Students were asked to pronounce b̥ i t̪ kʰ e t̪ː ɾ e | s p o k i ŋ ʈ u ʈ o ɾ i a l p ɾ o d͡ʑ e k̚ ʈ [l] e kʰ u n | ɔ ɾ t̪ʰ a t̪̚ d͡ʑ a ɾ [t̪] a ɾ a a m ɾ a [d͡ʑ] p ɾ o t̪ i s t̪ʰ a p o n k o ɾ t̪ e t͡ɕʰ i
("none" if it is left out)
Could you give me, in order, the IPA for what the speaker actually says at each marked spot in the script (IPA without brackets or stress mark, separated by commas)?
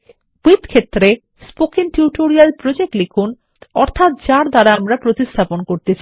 l, d̪, none